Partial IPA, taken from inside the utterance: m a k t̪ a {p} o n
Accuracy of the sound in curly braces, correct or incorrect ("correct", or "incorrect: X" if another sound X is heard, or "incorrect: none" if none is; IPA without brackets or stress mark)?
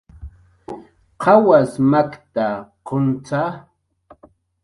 incorrect: q